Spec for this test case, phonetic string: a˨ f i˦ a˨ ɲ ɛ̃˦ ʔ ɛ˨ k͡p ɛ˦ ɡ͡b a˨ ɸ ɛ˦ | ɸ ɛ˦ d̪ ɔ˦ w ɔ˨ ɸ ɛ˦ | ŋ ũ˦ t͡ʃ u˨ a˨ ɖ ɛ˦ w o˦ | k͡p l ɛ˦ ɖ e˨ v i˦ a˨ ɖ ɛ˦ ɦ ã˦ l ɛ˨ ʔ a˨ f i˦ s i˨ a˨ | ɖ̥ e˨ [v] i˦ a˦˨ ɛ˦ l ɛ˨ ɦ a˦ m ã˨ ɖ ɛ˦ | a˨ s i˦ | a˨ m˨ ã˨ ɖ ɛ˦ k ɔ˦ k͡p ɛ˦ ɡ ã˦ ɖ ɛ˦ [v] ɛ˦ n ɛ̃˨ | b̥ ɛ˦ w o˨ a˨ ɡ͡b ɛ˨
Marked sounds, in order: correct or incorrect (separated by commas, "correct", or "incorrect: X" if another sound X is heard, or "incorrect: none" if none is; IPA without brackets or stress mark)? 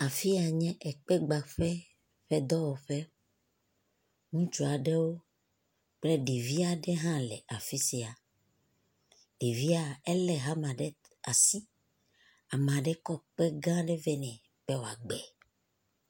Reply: correct, correct